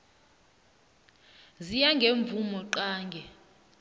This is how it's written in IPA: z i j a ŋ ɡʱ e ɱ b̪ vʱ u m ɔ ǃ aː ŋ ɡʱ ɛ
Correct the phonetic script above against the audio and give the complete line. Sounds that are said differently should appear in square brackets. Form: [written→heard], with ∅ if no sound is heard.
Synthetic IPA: z i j a ŋ ɡʱ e ɱ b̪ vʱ u m ɔ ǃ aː ŋ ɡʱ ɛ